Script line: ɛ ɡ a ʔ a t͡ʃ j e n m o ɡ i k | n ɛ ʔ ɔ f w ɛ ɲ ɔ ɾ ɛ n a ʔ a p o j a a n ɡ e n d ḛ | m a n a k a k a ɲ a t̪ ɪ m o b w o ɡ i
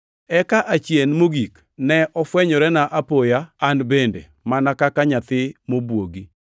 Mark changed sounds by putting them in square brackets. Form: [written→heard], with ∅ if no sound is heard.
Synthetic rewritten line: ɛ [ɡ→k] a ʔ a t͡ʃ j e n m o ɡ i k | n ɛ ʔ ɔ f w ɛ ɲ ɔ ɾ ɛ n a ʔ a p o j a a n [ɡ→b] e n d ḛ | m a n a k a k a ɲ a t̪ ɪ m o b w o ɡ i